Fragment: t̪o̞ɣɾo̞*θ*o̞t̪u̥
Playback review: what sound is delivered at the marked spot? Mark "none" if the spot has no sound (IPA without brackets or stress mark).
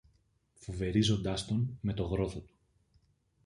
θ